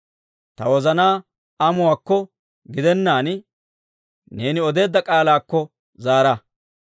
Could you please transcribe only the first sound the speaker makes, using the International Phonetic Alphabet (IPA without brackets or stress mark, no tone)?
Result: t̪